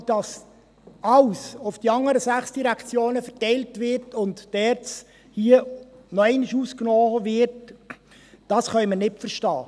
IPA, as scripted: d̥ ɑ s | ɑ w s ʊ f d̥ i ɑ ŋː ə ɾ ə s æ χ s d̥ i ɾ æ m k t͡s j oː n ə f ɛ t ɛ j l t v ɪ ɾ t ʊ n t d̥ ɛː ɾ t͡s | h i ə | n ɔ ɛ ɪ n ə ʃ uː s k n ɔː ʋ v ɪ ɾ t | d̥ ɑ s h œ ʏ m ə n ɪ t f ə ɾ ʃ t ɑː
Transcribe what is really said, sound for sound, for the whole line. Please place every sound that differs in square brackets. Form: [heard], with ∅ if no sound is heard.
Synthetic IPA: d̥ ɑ s | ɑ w s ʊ f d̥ i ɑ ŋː ə ɾ ə s æ χ s d̥ i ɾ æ [∅] k t͡s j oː n ə f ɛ t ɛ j l t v ɪ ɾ t ʊ n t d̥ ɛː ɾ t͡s | h i ə | n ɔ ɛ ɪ n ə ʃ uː s k n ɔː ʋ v ɪ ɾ t | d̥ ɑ s [χ] œ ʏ m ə n ɪ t f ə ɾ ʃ t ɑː